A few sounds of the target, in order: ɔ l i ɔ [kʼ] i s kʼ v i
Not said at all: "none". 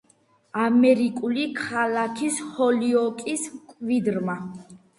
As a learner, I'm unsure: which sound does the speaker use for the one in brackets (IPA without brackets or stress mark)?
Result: kʼ